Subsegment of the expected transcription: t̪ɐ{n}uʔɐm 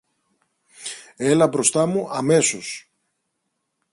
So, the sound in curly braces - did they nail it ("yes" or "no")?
no